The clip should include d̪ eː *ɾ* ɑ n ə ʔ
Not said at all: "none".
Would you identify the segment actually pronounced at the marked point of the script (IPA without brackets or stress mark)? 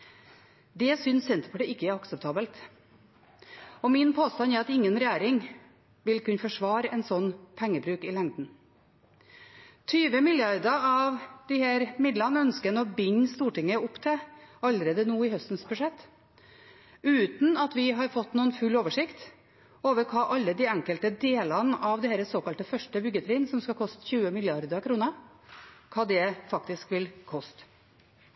l